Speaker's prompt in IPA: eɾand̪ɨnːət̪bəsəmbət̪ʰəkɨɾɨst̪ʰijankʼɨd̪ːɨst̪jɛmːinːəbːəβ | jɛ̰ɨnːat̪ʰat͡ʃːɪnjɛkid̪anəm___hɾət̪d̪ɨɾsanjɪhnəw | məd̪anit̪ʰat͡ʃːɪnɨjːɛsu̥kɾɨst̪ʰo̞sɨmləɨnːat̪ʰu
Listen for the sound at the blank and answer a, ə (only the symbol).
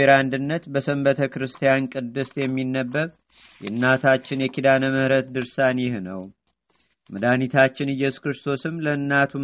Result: ə